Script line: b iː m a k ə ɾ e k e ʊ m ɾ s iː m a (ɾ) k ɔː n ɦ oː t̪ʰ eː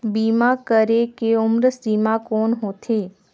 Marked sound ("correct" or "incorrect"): incorrect